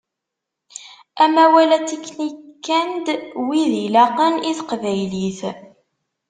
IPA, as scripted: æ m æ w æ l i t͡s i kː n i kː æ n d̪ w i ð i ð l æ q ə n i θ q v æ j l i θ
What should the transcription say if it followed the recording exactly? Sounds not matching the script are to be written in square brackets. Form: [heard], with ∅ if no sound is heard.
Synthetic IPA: æ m æ w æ l [æ] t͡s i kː n i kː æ n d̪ w i ð i [∅] l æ q ə n i θ q v æ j l i θ